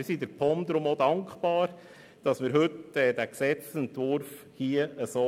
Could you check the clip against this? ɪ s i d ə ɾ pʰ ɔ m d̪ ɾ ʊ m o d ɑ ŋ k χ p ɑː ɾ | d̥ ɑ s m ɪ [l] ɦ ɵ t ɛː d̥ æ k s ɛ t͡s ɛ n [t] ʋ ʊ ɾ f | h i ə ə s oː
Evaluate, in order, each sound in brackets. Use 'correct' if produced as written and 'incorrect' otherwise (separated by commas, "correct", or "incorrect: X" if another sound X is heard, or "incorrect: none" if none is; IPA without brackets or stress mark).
incorrect: ɾ, correct